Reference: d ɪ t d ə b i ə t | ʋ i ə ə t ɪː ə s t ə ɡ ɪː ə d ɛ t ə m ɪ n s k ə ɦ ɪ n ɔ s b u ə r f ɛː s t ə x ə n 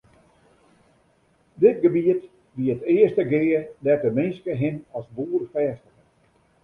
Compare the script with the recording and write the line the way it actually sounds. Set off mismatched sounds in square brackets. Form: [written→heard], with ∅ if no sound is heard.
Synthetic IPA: d ɪ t [d→ɡ] ə b i ə t | ʋ i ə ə t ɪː ə s t ə ɡ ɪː ə d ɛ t ə m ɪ n s k ə ɦ ɪ n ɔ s b u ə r f ɛː s t ə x ə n